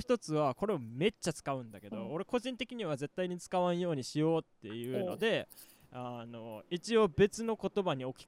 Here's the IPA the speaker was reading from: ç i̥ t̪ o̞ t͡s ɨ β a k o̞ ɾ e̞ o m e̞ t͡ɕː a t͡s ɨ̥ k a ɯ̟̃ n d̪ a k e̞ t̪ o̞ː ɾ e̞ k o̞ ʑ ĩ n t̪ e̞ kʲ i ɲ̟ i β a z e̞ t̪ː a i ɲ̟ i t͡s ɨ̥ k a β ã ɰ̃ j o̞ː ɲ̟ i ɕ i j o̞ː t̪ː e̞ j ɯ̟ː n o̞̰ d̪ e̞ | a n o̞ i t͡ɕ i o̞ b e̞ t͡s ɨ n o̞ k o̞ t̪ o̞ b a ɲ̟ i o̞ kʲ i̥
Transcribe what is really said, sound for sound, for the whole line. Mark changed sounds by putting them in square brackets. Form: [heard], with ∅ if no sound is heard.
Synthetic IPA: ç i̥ t̪ o̞ t͡s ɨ β a k o̞ ɾ e̞ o m e̞ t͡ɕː a t͡s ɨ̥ k a ɯ̟̃ n d̪ a k e̞ [d̪] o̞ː ɾ e̞ k o̞ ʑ ĩ n t̪ e̞ kʲ i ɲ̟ i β a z e̞ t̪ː a i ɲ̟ i t͡s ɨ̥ k a β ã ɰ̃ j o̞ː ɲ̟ i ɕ i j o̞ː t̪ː e̞ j ɯ̟ː n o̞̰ d̪ e̞ | a n o̞ i t͡ɕ i o̞ b e̞ t͡s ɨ n o̞ k o̞ t̪ o̞ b a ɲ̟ i o̞ kʲ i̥